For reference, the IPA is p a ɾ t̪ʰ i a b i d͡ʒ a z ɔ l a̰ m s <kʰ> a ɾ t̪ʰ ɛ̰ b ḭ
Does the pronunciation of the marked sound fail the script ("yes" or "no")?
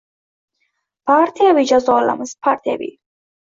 yes